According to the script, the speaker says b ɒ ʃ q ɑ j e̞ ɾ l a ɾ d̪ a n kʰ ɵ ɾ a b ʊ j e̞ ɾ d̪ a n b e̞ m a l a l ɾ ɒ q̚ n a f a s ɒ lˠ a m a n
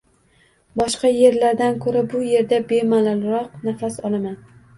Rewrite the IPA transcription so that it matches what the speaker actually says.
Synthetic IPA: b ɒ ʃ q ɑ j e̞ ɾ l a ɾ d̪ a n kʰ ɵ ɾ a b ʊ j e̞ ɾ d̪ a b e̞ m a l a l ɾ ɒ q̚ n a f a s ɒ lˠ a m a n